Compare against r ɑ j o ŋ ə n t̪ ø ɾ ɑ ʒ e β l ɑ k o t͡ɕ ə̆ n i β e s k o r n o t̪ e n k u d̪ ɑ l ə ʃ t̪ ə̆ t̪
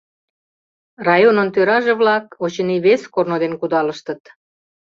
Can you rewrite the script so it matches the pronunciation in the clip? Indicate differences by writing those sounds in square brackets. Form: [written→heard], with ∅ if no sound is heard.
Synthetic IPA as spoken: r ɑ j o [ŋ→n] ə n t̪ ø ɾ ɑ ʒ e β l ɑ k o t͡ɕ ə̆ n i β e s k o r n o [t̪→d̪] e n k u d̪ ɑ l ə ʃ t̪ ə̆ t̪